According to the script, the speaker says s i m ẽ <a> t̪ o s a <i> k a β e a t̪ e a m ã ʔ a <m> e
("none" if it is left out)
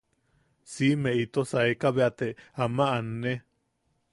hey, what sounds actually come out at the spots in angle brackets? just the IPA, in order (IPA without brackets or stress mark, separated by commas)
i, e, n